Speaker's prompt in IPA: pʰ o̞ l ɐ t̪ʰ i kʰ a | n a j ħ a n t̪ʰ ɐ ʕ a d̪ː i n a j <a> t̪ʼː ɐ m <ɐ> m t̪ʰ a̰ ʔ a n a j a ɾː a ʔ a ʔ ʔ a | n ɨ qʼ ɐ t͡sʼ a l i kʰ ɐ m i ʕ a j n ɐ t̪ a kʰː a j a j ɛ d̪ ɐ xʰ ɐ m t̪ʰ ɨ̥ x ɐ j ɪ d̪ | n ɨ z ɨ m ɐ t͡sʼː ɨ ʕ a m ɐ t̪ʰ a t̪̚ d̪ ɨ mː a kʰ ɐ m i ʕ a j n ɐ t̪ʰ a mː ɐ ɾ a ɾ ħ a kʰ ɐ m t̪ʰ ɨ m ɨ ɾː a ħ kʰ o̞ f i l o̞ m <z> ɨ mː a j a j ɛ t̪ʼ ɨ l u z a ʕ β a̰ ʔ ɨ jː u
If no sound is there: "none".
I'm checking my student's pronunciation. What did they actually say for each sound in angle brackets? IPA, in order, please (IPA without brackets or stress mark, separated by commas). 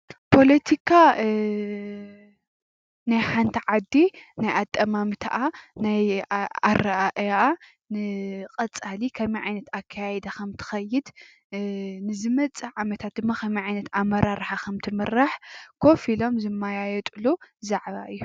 a, a, z